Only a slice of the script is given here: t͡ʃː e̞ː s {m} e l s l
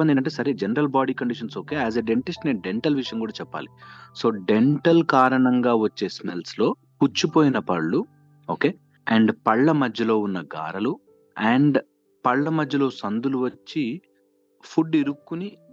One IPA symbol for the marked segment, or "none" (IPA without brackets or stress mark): m